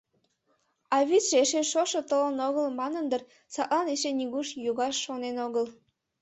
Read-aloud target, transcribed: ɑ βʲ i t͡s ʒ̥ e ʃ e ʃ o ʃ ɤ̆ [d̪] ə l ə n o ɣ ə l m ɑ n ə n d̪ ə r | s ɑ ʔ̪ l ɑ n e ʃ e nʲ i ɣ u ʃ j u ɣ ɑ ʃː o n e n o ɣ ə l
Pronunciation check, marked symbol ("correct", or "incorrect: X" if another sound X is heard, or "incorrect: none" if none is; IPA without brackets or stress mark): incorrect: t̪